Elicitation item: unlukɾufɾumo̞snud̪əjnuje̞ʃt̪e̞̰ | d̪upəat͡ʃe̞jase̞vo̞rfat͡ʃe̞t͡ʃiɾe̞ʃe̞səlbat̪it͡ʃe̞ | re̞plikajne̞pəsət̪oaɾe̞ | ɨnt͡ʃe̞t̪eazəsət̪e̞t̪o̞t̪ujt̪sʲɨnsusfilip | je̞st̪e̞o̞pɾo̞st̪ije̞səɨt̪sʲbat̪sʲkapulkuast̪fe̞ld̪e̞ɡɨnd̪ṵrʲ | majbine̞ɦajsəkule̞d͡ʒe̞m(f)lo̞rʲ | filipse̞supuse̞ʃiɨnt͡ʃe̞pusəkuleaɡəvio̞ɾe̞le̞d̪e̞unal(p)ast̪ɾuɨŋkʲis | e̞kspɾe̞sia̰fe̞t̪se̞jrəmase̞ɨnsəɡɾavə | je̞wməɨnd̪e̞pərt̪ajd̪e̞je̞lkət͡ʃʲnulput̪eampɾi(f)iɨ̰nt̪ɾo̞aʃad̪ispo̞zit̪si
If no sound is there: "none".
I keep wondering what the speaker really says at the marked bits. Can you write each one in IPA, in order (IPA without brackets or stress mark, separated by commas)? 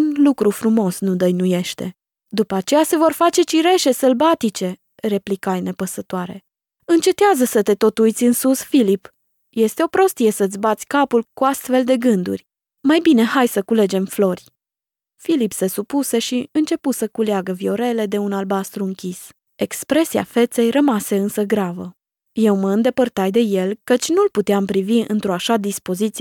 f, b, v